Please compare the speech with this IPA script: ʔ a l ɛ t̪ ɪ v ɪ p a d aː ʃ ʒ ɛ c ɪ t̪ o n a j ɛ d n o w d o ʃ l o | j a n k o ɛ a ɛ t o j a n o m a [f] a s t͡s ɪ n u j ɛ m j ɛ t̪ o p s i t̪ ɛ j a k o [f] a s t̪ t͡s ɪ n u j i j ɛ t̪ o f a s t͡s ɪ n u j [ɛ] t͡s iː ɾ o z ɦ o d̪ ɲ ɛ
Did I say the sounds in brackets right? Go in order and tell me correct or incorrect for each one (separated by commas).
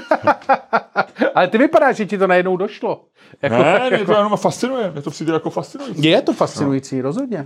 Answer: correct, correct, incorrect